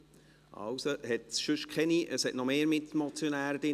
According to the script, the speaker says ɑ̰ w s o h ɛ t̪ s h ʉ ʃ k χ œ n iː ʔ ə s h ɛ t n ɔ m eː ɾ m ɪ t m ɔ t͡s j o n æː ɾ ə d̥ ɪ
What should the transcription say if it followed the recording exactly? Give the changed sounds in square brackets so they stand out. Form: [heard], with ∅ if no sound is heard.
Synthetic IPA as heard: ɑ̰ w s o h ɛ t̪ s [ʃ] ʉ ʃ k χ [ɛ] n [i] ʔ ə s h ɛ t n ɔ m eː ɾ m ɪ t m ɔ t͡s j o n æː ɾ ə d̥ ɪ